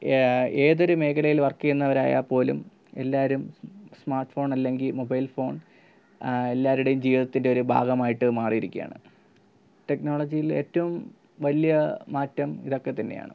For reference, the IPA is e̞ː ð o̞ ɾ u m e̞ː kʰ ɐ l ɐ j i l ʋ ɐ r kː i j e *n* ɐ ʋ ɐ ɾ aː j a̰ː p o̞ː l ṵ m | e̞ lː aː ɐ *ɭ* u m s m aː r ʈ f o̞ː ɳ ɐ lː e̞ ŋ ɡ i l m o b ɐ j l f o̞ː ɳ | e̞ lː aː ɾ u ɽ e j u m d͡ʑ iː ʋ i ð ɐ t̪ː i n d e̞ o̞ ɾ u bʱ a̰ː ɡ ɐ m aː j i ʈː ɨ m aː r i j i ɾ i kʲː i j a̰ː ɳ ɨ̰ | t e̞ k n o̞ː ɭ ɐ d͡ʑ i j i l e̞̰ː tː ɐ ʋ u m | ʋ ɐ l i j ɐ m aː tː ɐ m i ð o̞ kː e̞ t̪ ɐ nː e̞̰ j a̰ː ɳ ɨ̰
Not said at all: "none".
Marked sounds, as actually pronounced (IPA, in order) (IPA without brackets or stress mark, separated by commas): nː, ɾ